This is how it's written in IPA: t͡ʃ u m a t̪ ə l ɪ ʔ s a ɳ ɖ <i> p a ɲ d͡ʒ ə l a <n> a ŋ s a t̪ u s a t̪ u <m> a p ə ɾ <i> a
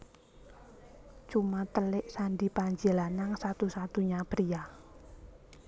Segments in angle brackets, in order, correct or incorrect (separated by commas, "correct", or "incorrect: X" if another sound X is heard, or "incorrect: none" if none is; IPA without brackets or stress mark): correct, correct, incorrect: ɲ, correct